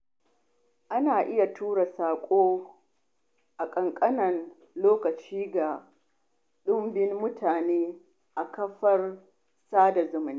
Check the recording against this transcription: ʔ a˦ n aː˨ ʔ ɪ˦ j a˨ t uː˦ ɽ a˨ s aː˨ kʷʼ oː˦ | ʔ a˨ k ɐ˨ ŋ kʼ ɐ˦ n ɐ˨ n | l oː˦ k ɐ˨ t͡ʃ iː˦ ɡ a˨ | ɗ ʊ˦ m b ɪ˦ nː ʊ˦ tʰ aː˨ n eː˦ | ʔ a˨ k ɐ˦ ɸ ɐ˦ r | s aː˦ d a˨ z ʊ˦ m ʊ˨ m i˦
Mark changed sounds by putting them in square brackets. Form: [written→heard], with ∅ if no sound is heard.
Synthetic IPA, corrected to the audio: ʔ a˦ n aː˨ ʔ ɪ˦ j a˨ t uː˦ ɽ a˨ s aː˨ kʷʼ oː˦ | ʔ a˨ [k→kʼ] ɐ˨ ŋ kʼ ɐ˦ n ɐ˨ n | l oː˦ k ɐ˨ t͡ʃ iː˦ ɡ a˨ | ɗ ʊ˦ m b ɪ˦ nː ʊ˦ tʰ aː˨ n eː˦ | ʔ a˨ k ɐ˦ ɸ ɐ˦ r | s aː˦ d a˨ z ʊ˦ m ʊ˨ [m→n] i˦